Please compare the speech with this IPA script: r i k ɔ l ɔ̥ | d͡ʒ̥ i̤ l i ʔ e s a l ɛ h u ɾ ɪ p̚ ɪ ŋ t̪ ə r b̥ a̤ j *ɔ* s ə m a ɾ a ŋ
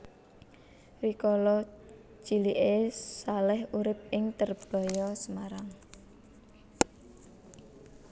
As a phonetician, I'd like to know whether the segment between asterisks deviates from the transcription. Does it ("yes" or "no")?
no